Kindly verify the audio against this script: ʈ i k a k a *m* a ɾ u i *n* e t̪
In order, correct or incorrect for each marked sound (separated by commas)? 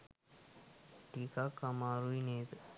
correct, correct